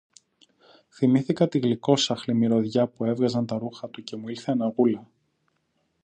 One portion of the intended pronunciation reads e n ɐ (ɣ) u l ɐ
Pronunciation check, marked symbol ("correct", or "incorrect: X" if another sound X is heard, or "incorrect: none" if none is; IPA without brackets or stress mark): correct